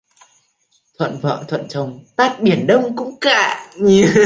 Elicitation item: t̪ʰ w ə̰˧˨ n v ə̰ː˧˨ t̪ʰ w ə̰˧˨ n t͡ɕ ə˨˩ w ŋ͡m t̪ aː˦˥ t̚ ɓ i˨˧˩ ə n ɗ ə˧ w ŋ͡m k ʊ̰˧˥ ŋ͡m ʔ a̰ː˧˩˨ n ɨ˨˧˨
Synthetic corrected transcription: t̪ʰ w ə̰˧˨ n v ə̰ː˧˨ t̪ʰ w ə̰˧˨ n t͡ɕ ə˨˩ w ŋ͡m t̪ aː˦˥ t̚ ɓ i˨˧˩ ə n ɗ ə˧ w ŋ͡m k ʊ̰˧˥ ŋ͡m k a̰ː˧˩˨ ɲ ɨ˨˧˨